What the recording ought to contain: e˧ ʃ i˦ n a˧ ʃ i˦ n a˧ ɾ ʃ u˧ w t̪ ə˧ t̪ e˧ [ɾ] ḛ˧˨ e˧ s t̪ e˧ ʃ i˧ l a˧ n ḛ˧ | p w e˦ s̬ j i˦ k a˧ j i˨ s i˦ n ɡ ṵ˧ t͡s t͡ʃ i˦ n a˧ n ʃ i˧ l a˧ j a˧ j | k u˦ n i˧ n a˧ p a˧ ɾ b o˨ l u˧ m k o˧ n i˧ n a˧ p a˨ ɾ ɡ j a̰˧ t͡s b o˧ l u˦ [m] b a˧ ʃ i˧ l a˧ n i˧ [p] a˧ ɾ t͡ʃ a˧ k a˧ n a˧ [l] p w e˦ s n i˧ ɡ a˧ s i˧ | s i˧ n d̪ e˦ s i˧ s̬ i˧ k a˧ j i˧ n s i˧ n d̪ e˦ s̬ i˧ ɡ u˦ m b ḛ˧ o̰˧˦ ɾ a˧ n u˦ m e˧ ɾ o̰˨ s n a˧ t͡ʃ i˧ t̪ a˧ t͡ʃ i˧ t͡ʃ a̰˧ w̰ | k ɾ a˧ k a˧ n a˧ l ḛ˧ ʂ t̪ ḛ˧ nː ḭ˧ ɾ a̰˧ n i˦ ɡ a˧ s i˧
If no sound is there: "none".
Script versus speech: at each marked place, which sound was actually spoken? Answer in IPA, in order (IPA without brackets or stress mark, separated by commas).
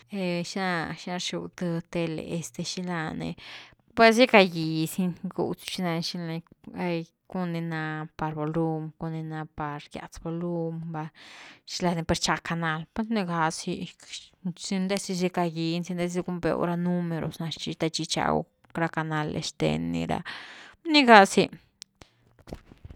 l, m, p, l